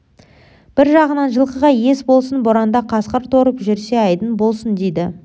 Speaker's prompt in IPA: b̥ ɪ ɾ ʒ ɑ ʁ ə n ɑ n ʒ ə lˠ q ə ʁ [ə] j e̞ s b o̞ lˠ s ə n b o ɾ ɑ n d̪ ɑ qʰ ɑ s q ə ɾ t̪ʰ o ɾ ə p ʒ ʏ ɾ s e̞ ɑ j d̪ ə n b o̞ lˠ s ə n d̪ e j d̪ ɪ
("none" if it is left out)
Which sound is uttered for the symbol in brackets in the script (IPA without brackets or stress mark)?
ɑ